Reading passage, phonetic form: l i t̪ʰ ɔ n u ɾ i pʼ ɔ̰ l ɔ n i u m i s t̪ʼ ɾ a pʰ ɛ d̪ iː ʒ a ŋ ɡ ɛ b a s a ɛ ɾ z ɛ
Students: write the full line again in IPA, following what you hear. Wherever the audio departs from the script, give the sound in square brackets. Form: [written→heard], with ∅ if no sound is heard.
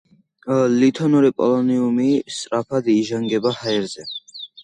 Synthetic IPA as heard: l i t̪ʰ ɔ n u ɾ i pʼ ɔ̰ l ɔ n i u m i s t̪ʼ ɾ a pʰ [ɛ→a] d̪ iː ʒ a ŋ ɡ ɛ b a [s→h] a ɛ ɾ z ɛ

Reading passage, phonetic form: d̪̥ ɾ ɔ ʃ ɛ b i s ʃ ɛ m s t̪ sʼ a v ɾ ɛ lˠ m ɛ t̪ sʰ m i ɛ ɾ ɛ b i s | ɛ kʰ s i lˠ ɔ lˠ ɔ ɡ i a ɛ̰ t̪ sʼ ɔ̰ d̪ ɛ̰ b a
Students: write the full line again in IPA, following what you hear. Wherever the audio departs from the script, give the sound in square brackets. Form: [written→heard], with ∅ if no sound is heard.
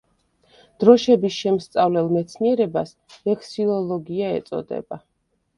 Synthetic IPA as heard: d̪̥ ɾ ɔ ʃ ɛ b i s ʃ ɛ m s t̪ sʼ a v [ɾ→l] ɛ lˠ m ɛ t̪ sʰ [m→n] i ɛ ɾ ɛ b [i→a] s | ɛ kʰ s i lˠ ɔ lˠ ɔ ɡ i a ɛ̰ t̪ sʼ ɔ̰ d̪ ɛ̰ b a

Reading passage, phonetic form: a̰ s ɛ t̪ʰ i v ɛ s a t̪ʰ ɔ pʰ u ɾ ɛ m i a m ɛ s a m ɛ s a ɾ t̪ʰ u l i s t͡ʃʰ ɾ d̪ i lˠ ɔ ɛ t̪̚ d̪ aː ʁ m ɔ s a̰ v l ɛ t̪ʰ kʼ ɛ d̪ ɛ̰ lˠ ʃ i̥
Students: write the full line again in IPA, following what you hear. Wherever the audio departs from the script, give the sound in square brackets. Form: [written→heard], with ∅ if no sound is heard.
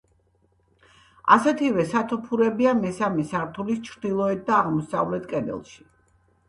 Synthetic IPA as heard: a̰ s ɛ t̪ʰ i v ɛ s a t̪ʰ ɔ pʰ u ɾ ɛ [m→b] i a m ɛ s a m ɛ s a ɾ t̪ʰ u l i s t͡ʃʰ ɾ d̪ i lˠ ɔ ɛ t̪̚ d̪ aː ʁ m ɔ s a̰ v l ɛ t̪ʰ kʼ ɛ d̪ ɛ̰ lˠ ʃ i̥

